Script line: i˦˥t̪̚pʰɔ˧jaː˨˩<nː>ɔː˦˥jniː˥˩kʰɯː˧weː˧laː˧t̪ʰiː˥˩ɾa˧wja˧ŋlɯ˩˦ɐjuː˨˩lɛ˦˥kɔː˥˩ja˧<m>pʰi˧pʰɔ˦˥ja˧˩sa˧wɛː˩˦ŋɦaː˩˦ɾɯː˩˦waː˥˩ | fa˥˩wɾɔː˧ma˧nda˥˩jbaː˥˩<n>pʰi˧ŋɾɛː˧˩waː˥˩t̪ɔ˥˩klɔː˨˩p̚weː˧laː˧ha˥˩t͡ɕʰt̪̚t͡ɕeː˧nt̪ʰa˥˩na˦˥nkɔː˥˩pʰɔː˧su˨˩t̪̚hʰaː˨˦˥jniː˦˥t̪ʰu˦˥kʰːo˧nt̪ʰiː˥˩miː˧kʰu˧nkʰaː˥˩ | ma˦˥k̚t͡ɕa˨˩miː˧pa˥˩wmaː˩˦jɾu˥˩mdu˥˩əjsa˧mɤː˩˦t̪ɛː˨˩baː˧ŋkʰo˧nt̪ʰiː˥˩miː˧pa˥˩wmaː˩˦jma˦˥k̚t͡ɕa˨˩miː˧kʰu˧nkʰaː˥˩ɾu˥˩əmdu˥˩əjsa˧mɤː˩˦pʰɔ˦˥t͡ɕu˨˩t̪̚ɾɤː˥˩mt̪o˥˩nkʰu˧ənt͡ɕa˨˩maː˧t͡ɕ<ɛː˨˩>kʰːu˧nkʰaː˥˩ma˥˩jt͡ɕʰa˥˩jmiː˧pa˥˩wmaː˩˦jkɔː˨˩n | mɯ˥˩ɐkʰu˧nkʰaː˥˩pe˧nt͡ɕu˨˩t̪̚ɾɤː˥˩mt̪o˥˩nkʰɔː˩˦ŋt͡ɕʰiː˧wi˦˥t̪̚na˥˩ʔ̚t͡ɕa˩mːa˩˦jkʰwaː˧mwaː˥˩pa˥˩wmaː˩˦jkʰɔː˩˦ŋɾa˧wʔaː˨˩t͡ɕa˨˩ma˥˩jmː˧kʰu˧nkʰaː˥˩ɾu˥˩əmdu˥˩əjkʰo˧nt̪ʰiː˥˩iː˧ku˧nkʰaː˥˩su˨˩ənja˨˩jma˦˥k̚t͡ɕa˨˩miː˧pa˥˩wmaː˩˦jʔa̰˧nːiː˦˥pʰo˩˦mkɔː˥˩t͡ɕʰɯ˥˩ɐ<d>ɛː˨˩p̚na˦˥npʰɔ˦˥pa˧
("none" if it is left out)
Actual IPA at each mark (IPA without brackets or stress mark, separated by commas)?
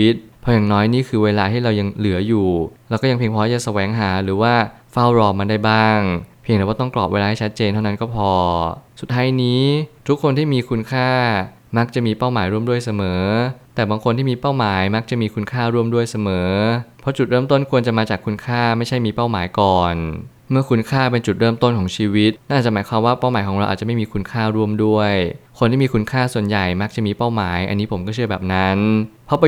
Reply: n, ŋ, ŋ, aː˨˩, b